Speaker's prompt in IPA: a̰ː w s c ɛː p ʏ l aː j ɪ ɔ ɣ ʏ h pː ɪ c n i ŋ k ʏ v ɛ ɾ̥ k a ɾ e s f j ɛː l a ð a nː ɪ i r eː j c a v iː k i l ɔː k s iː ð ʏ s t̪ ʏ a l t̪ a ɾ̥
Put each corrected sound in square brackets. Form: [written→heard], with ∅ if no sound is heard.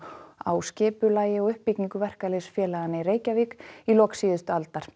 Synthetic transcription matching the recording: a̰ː w s c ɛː p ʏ l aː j ɪ ɔ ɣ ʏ h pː [ɪ→i] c n i ŋ k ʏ v ɛ [ɾ̥→r̥] k a [ɾ→l] e s f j ɛː l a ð a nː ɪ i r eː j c a v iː k i l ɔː k s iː ð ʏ s t̪ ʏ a l t̪ a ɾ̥